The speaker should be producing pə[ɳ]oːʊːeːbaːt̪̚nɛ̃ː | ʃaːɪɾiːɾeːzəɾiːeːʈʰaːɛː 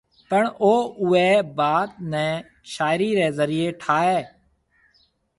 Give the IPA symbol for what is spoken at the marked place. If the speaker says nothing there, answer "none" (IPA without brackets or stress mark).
ɳ